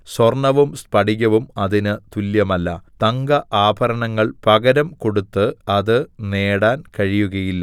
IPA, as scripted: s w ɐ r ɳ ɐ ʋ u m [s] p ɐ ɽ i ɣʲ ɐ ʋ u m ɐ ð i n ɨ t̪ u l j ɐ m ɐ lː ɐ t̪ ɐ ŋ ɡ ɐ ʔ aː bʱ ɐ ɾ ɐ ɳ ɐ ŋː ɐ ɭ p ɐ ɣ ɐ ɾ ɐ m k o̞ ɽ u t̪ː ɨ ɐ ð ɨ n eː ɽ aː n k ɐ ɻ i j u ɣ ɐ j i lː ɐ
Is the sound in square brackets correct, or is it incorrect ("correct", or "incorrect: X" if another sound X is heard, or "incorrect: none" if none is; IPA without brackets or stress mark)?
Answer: correct